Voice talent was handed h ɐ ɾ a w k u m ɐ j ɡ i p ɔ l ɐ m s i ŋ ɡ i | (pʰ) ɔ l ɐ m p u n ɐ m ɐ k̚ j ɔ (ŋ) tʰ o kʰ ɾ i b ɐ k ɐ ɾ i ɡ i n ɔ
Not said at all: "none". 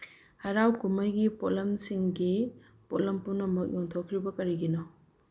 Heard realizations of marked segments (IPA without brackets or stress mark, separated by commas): p, ŋ